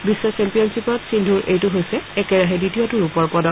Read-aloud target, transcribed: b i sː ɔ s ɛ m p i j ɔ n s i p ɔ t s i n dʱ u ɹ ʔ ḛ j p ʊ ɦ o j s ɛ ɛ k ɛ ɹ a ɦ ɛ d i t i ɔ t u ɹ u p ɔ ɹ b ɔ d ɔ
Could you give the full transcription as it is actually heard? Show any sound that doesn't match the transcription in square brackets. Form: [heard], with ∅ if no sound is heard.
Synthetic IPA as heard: b i sː ɔ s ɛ m p i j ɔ n s i p ɔ t s i n dʱ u ɹ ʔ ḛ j [t] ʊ ɦ o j s ɛ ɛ k ɛ ɹ a ɦ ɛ d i t i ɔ t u ɹ u p ɔ ɹ [p] ɔ d ɔ